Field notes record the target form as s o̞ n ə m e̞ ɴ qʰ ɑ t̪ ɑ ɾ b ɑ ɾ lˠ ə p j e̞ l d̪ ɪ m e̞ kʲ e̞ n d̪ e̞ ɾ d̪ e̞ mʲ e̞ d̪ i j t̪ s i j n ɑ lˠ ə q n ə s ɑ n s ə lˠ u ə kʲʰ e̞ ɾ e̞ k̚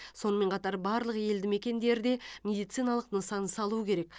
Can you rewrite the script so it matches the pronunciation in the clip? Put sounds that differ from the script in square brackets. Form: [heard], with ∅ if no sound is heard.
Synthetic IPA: s o̞ n ə m e̞ ɴ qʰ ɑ t̪ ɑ ɾ b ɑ ɾ lˠ ə [q] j e̞ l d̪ ɪ m e̞ kʲ e̞ n d̪ e̞ ɾ d̪ e̞ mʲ e̞ d̪ i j t̪ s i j n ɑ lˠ ə q n ə s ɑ n s [ɑ] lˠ u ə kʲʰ e̞ ɾ e̞ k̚